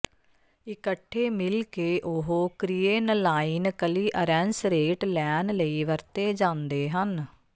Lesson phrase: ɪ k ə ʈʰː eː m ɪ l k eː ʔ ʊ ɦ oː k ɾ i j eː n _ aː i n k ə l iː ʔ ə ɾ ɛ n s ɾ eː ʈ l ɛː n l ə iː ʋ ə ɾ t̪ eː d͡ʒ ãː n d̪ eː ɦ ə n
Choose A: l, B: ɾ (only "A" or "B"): A